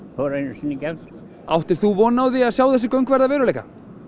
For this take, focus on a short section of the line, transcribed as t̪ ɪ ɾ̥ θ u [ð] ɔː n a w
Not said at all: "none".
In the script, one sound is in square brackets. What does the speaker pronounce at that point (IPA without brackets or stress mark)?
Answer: v